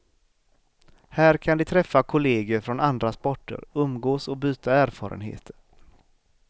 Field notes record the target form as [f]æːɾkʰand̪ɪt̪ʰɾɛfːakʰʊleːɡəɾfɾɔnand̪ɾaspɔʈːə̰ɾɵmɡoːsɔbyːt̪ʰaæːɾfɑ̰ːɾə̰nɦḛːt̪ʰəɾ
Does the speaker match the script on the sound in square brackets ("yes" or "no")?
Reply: no